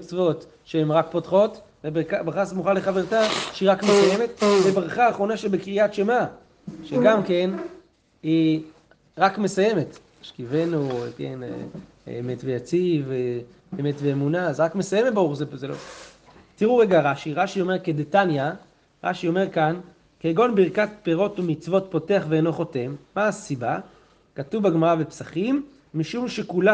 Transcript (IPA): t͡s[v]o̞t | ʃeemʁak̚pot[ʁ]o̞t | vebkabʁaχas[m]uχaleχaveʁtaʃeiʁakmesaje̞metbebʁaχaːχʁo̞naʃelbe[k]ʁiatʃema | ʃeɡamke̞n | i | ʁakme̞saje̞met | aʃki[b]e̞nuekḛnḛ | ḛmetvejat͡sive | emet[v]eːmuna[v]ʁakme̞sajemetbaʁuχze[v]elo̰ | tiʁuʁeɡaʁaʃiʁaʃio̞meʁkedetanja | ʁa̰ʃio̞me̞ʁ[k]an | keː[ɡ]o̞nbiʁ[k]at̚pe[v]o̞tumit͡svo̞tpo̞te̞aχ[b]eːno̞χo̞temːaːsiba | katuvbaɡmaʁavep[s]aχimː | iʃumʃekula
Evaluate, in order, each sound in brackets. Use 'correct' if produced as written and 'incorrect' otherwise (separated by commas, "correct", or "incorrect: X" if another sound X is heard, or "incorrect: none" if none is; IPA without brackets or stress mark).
correct, incorrect: χ, correct, correct, incorrect: v, correct, incorrect: z, incorrect: z, correct, correct, correct, incorrect: ʁ, incorrect: v, correct